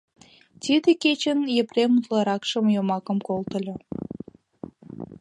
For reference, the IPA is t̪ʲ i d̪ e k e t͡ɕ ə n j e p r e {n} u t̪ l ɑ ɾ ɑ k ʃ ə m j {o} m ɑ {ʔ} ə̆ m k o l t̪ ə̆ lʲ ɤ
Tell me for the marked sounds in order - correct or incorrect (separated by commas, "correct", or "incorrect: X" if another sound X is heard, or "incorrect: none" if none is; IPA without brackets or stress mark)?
incorrect: m, correct, incorrect: k